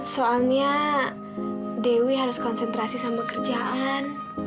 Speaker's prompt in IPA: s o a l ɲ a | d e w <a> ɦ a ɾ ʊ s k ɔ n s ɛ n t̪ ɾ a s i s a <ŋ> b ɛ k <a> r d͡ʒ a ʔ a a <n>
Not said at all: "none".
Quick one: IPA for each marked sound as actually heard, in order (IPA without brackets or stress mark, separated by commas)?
i, m, ə, n